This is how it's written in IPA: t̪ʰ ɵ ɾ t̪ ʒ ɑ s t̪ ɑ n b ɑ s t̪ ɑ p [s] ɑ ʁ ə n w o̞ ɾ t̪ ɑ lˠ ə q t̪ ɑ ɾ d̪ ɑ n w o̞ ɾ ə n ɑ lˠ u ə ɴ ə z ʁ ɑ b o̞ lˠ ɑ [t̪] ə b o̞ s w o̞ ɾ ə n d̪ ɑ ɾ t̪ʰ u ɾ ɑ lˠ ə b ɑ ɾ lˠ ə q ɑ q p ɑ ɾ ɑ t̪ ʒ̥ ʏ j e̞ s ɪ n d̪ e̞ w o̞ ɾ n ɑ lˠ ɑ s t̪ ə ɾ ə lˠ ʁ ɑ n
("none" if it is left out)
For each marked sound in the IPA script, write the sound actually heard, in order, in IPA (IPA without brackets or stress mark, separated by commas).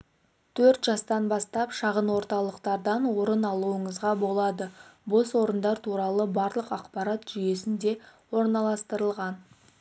ʃ, d̪